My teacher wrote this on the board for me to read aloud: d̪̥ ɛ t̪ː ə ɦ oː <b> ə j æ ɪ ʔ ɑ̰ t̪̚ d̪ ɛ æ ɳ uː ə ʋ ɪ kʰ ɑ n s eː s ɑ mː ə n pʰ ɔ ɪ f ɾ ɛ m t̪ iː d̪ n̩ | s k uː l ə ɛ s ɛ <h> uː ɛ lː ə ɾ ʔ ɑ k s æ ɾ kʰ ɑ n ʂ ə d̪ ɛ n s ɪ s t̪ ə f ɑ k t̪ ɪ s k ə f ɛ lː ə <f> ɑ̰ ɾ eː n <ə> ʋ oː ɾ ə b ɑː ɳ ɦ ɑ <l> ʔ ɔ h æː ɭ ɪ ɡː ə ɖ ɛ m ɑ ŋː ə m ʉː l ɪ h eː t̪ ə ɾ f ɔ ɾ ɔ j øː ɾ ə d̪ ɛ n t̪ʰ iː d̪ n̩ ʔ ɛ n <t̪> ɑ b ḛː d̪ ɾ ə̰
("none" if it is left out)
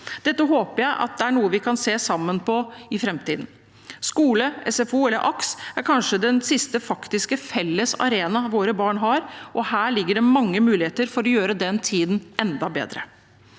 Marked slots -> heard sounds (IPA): p, f, s, ɑ, ɾ, d̪

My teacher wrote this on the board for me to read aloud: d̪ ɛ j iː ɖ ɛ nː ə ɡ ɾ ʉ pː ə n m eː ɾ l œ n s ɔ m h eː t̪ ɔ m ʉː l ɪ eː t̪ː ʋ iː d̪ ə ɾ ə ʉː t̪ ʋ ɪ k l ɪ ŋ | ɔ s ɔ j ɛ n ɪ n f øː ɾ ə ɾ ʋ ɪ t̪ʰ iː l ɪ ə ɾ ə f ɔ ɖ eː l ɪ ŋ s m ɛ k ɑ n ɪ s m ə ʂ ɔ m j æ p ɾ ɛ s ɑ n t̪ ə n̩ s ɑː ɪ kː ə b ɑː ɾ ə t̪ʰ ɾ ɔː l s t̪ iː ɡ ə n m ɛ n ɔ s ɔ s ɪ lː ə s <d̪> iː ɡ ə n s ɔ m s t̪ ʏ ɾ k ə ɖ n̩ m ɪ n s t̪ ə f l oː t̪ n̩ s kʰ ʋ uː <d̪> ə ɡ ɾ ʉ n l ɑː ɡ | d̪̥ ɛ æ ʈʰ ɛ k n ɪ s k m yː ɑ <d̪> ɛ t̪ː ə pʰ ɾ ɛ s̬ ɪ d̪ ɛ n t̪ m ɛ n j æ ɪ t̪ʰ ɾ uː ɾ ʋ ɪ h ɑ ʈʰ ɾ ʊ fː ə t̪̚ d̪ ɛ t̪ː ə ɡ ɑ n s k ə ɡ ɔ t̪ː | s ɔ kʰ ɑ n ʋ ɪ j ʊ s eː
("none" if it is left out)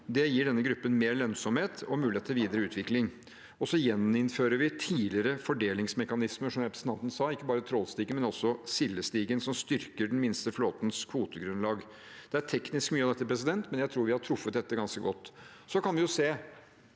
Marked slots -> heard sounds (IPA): t̪, t̪, d̪

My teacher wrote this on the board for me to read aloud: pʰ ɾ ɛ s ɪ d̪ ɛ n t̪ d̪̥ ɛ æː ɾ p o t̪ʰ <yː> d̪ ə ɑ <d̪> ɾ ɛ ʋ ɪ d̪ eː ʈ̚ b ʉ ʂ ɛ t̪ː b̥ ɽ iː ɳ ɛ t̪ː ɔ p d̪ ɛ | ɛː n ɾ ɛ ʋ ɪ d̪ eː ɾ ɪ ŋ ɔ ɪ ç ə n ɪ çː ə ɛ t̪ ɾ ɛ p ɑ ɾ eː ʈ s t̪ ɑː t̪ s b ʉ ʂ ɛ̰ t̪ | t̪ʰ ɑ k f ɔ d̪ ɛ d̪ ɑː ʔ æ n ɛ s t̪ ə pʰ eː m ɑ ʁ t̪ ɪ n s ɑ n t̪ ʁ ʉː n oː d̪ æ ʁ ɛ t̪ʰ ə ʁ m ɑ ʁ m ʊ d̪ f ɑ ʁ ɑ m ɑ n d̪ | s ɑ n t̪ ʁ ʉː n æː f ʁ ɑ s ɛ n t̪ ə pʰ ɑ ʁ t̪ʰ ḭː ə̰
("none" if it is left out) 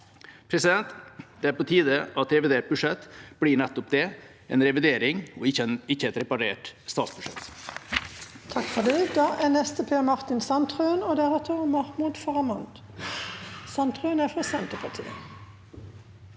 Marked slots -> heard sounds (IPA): iː, t̪

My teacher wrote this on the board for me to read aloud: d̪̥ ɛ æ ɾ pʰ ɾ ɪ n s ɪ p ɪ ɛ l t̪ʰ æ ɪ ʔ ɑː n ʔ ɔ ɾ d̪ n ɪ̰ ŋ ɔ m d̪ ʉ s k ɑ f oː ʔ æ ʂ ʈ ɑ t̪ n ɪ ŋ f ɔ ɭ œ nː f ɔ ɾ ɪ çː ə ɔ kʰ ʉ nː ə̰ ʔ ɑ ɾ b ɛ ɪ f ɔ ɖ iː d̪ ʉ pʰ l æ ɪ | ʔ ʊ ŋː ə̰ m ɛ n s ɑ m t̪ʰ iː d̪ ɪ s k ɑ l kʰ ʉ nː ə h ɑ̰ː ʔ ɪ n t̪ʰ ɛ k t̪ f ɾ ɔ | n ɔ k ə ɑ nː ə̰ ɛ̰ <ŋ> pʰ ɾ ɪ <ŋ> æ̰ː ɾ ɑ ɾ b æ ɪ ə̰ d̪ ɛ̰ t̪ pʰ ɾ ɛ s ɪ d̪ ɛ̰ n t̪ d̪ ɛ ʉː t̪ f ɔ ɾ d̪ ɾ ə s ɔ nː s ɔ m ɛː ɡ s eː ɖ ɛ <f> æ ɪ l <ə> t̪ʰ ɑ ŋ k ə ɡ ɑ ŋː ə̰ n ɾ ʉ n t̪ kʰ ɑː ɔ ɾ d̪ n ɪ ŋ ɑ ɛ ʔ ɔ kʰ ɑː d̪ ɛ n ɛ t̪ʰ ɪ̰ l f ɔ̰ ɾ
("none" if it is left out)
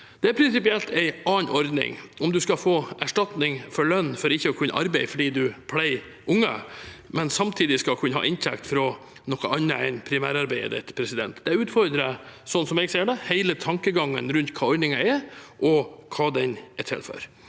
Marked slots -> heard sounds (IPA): n, m, h, ə

